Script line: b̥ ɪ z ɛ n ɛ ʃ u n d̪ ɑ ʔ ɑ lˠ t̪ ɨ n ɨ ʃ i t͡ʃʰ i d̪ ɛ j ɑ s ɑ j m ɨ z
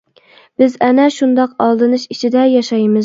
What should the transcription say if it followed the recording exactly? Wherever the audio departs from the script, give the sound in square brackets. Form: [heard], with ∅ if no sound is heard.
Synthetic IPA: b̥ ɪ z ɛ n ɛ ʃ u n d̪ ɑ [q] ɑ lˠ [d̪] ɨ n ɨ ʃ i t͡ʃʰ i d̪ ɛ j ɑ [ʃ] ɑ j m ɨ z